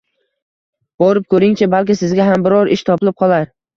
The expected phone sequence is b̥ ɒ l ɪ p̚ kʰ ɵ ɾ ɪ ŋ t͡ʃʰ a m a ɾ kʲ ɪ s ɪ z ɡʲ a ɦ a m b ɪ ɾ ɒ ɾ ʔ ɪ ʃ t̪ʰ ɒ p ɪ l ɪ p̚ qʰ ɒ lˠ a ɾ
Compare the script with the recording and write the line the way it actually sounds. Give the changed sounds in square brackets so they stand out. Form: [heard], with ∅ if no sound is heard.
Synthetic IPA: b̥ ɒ [ɾ] ɪ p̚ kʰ ɵ ɾ ɪ ŋ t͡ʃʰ a [b] a [l] kʲ ɪ s ɪ z ɡʲ a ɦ a m b ɪ ɾ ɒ ɾ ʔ ɪ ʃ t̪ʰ ɒ p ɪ l ɪ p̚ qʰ ɒ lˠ a ɾ